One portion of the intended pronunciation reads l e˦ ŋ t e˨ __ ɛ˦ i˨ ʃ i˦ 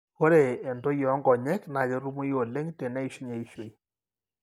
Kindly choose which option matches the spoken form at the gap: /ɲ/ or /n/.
n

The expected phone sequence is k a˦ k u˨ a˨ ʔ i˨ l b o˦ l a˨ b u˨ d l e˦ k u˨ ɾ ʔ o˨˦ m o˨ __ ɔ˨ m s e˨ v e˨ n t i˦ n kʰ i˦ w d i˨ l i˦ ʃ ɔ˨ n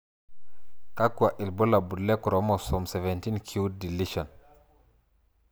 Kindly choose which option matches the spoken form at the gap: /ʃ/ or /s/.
s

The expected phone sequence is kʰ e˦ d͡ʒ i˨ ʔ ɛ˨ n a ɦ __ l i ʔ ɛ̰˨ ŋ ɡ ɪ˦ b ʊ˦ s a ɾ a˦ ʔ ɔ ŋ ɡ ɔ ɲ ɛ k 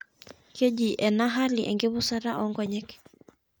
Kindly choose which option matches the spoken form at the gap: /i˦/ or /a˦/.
a˦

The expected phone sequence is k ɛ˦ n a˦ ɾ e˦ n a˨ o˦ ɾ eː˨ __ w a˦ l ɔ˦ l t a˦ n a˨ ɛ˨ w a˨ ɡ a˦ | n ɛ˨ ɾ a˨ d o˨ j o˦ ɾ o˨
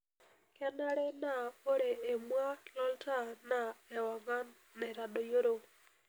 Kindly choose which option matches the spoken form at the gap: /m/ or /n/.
m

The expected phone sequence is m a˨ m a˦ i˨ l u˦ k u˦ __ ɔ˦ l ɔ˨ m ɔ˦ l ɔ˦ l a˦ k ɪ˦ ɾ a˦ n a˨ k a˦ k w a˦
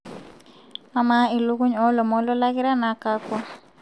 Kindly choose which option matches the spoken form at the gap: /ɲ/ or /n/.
ɲ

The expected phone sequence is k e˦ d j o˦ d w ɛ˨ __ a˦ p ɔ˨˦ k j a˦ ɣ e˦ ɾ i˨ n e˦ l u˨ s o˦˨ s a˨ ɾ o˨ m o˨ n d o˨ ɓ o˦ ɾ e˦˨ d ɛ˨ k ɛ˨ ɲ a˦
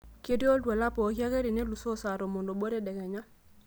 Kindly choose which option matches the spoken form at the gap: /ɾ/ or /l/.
l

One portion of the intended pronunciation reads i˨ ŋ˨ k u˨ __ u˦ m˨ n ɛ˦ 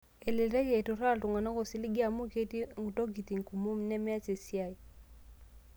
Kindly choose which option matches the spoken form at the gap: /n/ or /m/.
m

